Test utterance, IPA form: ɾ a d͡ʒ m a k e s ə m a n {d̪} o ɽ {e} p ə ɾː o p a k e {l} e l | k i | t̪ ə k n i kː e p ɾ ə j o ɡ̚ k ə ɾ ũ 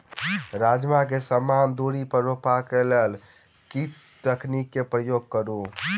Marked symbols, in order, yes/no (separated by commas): yes, no, yes